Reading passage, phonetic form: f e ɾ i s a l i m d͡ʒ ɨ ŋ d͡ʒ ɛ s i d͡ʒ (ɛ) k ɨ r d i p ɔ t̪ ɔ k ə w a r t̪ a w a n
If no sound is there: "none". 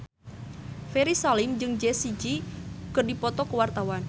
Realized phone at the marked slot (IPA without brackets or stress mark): i